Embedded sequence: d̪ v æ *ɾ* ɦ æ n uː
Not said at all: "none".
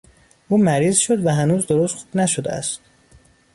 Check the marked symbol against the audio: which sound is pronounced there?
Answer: none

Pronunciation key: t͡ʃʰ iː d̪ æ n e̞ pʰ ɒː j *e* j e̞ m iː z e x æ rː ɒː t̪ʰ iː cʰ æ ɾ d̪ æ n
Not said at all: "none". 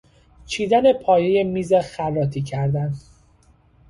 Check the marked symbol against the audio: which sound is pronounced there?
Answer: e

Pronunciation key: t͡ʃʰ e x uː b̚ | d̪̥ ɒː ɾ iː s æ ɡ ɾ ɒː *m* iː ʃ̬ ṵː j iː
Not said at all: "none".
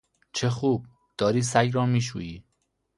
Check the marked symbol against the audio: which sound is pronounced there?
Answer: m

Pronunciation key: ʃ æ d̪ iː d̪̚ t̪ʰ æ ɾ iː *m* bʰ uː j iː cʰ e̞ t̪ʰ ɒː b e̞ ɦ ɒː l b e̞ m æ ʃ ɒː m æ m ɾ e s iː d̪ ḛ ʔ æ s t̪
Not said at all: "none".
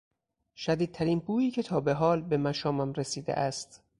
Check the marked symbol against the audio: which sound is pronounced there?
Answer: n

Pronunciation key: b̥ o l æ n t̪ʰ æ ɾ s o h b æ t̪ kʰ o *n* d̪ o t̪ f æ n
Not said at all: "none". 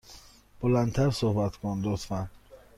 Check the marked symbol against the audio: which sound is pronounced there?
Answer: n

